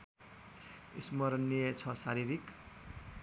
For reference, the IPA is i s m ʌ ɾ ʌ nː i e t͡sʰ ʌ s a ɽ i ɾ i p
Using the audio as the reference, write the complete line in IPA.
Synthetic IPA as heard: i s m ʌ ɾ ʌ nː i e t͡sʰ ʌ s a ɾ i ɾ i k